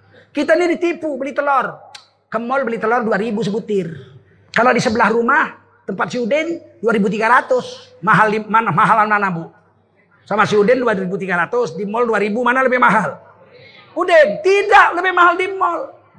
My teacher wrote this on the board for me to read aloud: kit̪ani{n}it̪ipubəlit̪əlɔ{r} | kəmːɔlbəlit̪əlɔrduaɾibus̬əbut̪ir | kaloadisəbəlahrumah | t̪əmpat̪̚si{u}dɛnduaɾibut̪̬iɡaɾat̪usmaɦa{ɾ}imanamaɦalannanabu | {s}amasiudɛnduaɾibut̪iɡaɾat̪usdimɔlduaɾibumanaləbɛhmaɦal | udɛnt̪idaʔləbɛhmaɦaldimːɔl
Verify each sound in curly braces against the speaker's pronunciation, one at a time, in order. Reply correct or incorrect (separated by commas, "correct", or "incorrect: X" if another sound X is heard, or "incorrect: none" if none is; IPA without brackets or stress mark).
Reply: incorrect: d, correct, correct, incorrect: l, correct